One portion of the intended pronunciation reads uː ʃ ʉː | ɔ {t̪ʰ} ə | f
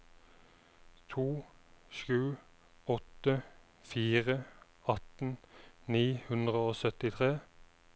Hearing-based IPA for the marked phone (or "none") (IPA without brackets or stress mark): t̪